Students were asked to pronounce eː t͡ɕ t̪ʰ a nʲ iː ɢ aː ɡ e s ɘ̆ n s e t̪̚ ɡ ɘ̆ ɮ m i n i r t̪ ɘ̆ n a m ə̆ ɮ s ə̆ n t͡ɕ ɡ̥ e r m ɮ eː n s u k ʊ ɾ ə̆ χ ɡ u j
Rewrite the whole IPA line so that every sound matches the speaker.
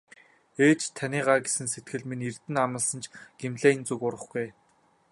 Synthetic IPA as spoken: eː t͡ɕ t̪ʰ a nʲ iː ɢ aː ɡ e s ɘ̆ n s e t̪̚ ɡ ɘ̆ ɮ m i n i r t̪ ɘ̆ n a m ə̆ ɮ s ə̆ n t͡ɕ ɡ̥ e m ɮ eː n t͡s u k ʊ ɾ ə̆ χ ɡ u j